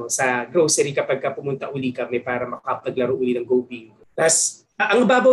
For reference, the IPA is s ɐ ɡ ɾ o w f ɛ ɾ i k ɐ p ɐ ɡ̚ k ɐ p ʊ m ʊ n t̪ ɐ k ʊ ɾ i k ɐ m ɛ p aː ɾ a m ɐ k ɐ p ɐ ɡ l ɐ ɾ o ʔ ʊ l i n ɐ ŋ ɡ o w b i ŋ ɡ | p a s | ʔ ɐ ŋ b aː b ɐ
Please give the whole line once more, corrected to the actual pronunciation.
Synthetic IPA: s ɐ ɡ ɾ o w s ɛ ɾ i k ɐ p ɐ ɡ̚ k ɐ p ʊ m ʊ n t̪ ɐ ʔ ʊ l i k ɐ m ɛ p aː ɾ ɐ m ɐ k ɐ p ɐ ɡ l ɐ ɾ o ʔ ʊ l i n ɐ ŋ ɡ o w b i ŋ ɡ | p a s | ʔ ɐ ŋ b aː b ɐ